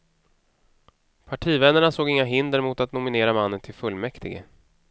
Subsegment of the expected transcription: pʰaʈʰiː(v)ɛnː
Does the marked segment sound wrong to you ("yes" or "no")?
no